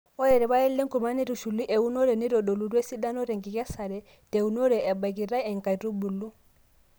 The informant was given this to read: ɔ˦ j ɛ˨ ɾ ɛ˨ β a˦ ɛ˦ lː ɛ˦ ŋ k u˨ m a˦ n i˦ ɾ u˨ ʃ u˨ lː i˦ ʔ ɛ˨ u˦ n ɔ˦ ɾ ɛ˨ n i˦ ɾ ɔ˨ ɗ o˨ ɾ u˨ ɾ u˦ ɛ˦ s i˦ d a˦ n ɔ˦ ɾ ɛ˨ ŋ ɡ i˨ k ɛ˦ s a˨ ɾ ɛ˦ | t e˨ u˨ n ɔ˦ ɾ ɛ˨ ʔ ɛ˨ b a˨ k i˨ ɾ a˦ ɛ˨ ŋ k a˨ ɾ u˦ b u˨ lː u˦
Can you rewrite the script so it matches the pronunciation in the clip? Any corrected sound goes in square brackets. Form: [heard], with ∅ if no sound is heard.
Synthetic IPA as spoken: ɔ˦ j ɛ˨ ɾ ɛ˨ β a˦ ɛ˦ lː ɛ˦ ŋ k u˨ m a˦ n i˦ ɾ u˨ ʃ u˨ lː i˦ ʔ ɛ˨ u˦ n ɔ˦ ɾ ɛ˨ n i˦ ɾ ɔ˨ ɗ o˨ [l] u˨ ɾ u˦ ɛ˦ s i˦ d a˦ n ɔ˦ ɾ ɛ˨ ŋ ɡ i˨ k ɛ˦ s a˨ ɾ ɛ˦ | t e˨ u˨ n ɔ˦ ɾ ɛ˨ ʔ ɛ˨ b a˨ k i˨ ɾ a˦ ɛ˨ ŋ k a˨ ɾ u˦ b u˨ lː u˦